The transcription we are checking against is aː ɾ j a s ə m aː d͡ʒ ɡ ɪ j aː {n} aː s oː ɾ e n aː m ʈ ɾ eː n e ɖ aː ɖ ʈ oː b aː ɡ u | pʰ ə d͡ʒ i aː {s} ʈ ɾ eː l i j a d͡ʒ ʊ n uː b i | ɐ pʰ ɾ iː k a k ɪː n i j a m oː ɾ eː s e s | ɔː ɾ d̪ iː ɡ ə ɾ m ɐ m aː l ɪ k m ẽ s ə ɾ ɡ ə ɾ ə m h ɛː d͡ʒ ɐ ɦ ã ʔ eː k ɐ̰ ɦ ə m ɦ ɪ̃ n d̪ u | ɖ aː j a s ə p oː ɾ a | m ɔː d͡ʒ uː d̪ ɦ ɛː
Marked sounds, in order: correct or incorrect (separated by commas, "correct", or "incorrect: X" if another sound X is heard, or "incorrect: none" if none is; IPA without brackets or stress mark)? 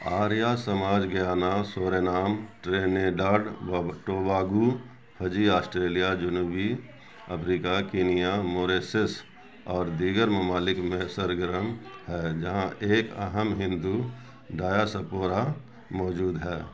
correct, correct